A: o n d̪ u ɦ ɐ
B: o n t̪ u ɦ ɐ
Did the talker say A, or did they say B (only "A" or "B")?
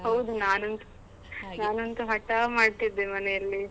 B